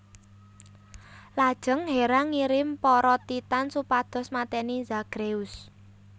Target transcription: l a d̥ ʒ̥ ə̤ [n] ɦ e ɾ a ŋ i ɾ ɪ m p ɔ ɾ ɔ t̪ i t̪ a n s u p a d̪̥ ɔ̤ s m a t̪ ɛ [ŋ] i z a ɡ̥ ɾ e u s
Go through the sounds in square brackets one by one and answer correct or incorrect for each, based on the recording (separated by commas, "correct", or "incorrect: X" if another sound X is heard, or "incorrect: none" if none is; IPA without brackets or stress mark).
incorrect: ŋ, incorrect: n